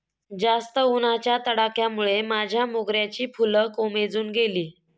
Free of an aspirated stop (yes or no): yes